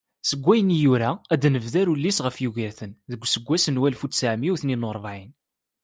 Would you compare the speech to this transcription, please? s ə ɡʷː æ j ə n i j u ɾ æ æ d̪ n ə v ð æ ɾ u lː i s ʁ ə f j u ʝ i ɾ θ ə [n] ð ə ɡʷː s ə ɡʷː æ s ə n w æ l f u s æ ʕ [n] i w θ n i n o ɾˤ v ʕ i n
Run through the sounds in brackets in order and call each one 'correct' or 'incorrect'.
correct, incorrect: m

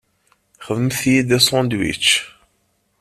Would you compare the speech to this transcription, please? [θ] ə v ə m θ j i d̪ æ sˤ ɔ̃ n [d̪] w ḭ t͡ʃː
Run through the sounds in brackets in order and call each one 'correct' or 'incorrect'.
incorrect: χ, correct

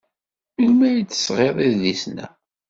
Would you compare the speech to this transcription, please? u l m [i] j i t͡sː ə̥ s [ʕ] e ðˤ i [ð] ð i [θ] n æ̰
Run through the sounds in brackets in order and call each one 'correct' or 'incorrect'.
incorrect: æ, incorrect: ʁ, correct, incorrect: s

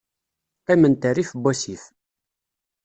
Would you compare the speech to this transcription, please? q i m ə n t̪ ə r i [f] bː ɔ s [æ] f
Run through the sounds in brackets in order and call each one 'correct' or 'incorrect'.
correct, incorrect: i

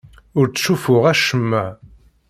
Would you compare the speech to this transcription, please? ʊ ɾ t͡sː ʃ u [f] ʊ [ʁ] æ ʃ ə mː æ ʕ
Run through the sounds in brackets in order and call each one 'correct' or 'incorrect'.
correct, correct

